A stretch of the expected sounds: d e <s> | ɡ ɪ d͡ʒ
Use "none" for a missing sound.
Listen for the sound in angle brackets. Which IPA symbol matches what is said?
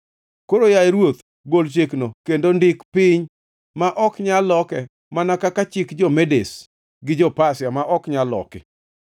s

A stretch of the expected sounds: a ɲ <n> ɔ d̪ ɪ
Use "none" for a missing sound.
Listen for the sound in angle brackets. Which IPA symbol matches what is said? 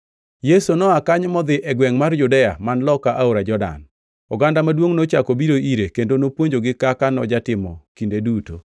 m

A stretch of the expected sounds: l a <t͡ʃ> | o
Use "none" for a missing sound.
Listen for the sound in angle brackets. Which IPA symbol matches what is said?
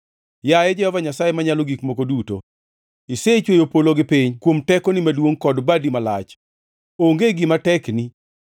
t͡ʃ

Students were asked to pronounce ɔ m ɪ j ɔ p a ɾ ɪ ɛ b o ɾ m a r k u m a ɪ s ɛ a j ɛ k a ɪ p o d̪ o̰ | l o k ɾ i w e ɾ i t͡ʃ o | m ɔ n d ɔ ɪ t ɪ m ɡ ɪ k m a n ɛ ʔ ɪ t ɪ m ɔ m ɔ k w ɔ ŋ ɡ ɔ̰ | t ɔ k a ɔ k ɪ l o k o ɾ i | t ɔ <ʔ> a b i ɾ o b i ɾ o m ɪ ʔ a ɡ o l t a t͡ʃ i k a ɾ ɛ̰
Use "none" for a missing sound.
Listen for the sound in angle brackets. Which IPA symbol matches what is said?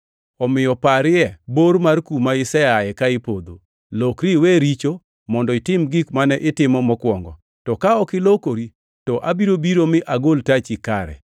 ʔ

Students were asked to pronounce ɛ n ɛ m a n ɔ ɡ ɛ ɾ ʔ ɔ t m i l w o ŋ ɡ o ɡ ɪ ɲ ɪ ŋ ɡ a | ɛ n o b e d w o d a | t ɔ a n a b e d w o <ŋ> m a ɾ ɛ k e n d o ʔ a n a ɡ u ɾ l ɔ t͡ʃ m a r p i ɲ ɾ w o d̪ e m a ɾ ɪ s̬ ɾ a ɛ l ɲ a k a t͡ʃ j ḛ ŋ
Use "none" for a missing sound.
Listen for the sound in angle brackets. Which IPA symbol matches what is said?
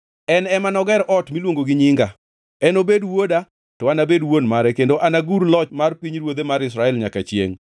n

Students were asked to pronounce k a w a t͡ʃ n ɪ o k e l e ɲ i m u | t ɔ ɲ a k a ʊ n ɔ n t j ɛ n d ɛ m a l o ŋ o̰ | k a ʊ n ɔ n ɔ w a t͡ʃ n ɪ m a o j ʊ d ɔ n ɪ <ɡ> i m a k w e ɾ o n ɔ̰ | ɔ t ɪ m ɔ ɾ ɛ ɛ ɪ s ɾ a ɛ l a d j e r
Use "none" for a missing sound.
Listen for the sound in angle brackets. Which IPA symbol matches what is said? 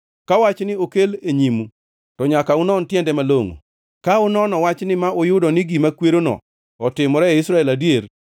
ɡ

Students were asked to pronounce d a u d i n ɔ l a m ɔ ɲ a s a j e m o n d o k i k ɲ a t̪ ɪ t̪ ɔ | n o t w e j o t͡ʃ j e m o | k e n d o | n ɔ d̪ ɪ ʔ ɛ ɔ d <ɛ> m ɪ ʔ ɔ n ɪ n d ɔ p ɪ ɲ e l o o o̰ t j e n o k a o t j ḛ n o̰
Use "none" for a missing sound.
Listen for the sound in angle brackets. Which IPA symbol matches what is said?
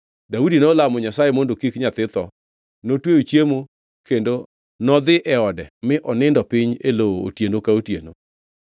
ɛ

